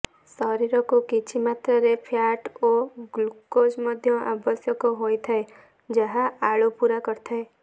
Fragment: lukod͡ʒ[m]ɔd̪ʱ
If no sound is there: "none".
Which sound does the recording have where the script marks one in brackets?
m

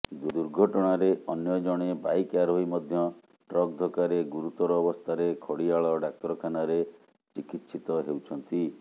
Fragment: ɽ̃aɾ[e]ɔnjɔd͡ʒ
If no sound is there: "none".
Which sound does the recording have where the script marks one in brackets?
e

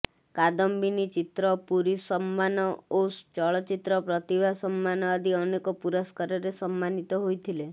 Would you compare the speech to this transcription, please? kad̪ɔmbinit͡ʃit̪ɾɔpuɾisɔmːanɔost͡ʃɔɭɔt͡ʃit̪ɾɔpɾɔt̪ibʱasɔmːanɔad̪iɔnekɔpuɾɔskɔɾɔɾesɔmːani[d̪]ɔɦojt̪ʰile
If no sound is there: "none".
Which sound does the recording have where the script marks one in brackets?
t̪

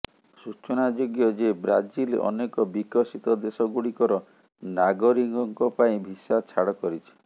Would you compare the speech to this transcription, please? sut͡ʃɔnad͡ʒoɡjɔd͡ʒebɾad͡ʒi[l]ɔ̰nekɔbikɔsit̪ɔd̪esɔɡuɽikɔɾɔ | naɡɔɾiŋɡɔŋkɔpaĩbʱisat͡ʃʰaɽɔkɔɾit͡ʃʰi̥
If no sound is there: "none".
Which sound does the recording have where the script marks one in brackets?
l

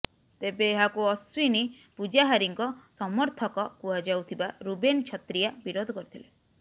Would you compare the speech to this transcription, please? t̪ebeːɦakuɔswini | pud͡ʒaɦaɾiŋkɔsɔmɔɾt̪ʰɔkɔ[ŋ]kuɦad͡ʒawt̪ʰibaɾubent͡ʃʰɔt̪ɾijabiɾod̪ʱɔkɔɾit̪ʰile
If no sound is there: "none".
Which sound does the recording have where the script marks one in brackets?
none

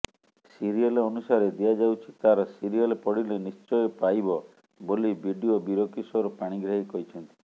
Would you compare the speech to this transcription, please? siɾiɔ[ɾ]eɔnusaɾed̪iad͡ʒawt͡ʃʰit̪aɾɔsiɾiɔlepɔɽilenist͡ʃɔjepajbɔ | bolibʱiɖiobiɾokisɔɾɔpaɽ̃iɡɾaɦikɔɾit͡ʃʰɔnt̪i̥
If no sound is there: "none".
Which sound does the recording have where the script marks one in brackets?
l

